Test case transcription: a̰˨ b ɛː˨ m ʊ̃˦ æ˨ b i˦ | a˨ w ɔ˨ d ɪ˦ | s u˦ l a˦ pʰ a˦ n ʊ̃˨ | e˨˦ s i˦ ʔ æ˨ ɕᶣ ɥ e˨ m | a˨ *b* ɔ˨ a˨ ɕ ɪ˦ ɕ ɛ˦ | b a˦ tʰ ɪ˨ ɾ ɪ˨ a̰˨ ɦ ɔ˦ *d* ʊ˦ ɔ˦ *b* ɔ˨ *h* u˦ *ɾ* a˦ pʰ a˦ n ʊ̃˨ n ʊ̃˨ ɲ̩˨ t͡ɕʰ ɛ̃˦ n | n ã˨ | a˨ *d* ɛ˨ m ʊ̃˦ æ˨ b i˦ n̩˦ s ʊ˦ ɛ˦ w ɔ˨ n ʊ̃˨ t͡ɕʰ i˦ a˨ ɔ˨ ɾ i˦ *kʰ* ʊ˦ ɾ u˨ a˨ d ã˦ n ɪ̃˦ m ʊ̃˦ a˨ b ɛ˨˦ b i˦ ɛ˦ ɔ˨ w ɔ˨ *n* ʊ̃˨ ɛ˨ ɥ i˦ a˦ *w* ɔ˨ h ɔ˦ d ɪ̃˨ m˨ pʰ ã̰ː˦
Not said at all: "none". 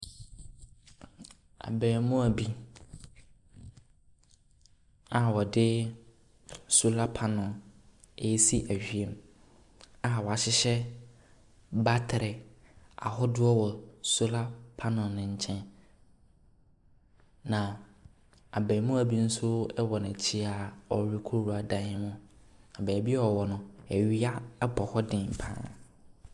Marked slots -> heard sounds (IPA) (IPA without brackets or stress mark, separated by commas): w, d, w, s, l, b, kʰ, n, b